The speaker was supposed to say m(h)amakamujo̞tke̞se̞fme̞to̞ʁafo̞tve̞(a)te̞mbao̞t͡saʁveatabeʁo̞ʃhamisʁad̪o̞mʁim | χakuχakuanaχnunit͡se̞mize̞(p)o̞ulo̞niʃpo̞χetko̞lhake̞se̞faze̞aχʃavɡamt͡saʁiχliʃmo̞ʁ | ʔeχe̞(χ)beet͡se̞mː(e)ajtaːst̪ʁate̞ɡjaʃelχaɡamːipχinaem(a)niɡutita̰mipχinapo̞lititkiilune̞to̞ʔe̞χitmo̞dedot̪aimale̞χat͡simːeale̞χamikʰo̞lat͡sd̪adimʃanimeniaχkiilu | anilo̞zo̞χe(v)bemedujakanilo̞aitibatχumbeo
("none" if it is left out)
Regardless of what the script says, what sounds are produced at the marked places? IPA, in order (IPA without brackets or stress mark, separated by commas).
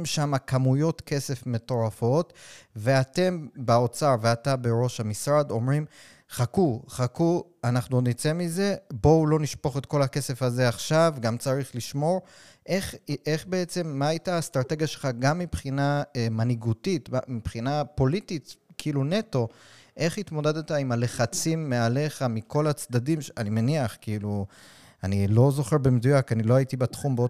ʃ, a, b, χ, a, a, ʁ